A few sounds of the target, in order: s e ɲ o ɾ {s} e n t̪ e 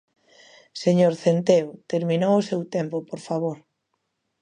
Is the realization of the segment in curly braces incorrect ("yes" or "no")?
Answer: yes